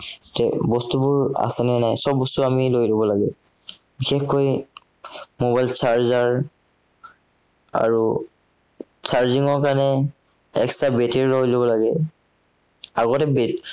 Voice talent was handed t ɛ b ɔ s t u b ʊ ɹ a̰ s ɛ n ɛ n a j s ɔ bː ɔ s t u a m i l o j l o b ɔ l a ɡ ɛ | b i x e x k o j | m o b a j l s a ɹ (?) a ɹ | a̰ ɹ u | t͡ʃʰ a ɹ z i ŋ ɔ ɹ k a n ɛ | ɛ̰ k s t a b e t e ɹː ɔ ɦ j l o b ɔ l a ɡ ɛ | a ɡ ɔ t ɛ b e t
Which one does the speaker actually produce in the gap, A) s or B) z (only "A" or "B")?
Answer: B